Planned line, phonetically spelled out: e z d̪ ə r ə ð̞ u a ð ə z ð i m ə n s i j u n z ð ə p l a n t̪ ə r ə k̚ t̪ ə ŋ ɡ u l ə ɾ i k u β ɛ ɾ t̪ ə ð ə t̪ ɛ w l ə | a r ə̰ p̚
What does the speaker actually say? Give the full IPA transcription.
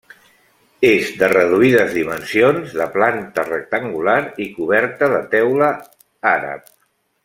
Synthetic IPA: e z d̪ ə r ə ð̞ u i ð ə z ð i m ə n s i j o n z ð ə p l a n t̪ ə r ə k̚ t̪ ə ŋ ɡ u l a ɾ i k u β ɛ ɾ t̪ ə ð ə t̪ ɛ w l ə | a ɾ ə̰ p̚